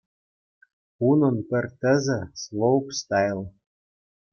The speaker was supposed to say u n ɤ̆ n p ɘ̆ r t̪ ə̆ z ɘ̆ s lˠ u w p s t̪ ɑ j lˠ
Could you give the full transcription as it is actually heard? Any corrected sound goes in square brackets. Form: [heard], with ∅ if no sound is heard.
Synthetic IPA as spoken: u n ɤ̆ n p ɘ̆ r t̪ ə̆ z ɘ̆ s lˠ [o] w p s t̪ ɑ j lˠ

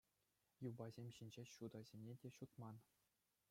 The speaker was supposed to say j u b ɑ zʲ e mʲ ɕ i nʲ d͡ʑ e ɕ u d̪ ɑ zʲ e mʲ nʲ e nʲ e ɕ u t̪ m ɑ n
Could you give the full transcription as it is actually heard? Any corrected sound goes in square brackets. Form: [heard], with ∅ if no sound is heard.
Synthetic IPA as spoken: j u b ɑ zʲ e mʲ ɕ i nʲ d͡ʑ e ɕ u d̪ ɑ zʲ e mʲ nʲ e [dʲ] e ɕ u t̪ m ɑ n

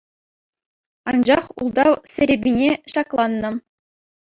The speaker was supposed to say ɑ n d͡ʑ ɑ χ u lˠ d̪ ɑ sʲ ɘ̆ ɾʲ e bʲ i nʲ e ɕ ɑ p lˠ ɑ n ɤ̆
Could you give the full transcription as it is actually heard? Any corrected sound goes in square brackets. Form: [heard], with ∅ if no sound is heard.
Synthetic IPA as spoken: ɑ n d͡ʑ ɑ χ u lˠ d̪ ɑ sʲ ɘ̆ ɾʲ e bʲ i nʲ e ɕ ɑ [k] lˠ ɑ [nː] ɤ̆

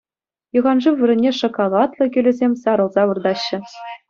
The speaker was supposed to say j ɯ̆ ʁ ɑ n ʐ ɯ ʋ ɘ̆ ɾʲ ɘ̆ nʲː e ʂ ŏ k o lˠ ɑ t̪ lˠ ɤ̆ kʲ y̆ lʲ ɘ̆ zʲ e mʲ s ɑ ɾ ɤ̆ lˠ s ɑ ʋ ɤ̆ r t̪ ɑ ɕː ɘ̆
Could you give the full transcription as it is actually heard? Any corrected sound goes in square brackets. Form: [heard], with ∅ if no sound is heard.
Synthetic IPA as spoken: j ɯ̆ ʁ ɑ n ʐ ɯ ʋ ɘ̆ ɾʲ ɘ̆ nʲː e ʂ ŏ k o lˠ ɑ t̪ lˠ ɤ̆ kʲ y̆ lʲ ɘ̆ zʲ e mʲ s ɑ ɾ ɤ̆ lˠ [z] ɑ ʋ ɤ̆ r [d̪] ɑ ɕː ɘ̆

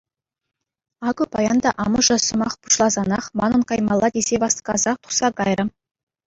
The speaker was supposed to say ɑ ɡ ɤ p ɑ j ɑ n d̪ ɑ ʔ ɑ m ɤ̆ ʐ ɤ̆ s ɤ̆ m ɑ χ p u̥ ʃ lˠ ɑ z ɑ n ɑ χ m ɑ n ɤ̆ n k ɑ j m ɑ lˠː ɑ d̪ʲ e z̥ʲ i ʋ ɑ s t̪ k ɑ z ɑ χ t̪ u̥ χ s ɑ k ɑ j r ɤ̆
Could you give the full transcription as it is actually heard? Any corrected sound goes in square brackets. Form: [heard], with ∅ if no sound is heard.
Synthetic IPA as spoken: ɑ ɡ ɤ p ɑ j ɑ n d̪ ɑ ʔ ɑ m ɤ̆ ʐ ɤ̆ s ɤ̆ m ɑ χ p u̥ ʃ lˠ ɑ z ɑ n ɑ χ m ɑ n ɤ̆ n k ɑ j m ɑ lˠː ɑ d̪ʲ e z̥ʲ [e] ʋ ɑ s t̪ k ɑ z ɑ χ t̪ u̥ χ s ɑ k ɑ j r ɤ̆

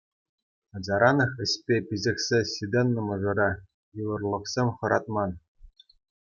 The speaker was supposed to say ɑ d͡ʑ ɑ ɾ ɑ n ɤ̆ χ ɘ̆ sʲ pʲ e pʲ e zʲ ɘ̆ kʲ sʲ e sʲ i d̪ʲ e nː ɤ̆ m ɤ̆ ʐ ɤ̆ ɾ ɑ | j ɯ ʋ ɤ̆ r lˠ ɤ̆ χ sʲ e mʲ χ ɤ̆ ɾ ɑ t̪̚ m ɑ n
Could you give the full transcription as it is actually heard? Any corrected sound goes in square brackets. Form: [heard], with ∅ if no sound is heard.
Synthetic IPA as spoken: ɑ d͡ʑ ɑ ɾ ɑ n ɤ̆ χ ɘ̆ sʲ pʲ e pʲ [i] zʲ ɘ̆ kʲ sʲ e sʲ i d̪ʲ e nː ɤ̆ m ɤ̆ ʐ ɤ̆ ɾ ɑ | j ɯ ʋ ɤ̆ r lˠ ɤ̆ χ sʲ e mʲ χ ɤ̆ ɾ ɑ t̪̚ m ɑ n

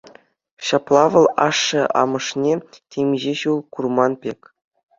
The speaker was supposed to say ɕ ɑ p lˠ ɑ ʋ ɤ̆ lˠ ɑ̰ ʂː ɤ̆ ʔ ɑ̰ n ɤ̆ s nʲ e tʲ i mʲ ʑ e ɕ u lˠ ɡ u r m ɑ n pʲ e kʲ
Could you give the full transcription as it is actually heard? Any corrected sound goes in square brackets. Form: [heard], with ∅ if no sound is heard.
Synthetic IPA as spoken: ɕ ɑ p lˠ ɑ ʋ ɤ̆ lˠ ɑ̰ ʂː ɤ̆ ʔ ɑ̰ [m] ɤ̆ [ʂ] nʲ e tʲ [e] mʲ ʑ e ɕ u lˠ [k] u r m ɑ n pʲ e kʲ

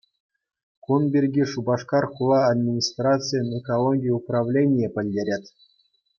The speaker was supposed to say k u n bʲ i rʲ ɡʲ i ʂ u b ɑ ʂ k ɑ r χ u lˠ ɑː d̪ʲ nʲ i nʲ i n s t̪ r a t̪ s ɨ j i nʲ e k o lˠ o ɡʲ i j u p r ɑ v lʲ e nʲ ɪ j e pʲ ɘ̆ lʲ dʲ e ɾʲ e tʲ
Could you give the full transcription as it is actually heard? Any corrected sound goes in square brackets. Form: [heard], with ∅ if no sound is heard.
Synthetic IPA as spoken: k u n bʲ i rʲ ɡʲ i ʂ u b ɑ ʂ k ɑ r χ u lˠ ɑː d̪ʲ [mʲ] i nʲ i [∅] s t̪ r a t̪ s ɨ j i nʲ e k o lˠ o ɡʲ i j u p r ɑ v lʲ e nʲ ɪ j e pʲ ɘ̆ lʲ dʲ e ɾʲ e tʲ

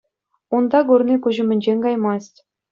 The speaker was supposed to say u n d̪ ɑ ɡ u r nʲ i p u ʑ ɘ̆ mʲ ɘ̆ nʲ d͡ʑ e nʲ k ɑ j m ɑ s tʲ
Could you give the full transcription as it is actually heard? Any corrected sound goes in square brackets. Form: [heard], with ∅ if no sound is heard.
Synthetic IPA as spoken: u n d̪ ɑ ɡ u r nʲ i [k] u ʑ ɘ̆ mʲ ɘ̆ nʲ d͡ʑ e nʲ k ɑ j m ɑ s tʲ

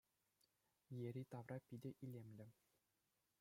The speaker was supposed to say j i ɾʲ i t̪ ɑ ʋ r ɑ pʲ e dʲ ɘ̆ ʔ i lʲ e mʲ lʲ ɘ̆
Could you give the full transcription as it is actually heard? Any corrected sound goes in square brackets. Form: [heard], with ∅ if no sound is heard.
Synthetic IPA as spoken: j [e] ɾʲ i t̪ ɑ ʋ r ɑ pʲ [i] dʲ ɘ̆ ʔ i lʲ e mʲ lʲ ɘ̆

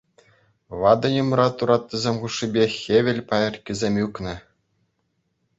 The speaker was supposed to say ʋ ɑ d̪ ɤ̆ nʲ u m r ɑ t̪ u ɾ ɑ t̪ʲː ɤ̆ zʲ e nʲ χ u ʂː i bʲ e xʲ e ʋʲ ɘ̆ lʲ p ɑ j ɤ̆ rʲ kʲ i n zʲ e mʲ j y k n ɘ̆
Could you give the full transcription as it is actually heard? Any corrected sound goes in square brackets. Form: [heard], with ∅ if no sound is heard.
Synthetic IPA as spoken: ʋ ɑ d̪ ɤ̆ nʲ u m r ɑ t̪ u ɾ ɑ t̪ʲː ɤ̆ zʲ e [mʲ] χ u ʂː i bʲ e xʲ e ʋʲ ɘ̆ lʲ p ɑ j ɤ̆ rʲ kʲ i [∅] zʲ e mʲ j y k n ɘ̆

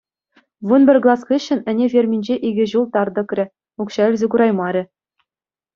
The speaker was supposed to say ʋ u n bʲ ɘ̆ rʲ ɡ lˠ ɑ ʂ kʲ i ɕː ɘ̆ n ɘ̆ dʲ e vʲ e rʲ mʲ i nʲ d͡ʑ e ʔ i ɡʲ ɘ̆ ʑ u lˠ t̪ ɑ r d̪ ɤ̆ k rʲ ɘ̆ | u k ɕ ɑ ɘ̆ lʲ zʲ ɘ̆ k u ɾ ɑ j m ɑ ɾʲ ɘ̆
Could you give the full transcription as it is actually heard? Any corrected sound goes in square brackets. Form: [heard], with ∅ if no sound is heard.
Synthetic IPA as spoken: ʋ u n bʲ ɘ̆ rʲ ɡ lˠ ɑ [s] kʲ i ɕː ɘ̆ n ɘ̆ [nʲ] e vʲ e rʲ mʲ i nʲ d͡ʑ e ʔ i ɡʲ ɘ̆ ʑ u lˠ t̪ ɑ r d̪ ɤ̆ k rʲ ɘ̆ | u k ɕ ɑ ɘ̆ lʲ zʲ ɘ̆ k u ɾ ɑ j m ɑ ɾʲ ɘ̆

